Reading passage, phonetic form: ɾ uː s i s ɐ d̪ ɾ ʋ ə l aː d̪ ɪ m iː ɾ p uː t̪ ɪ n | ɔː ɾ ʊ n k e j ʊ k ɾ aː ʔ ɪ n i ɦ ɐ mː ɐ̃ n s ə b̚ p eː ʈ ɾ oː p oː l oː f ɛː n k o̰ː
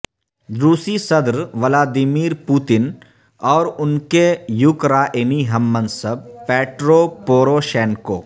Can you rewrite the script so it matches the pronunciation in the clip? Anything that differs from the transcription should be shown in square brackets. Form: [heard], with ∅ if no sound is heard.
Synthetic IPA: ɾ uː s i s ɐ d̪ ɾ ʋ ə l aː d̪ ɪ m iː ɾ p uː t̪ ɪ n | ɔː ɾ ʊ n k e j ʊ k ɾ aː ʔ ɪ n i ɦ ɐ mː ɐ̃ n s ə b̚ p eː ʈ ɾ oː p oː [ɾ] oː [ʃ] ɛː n k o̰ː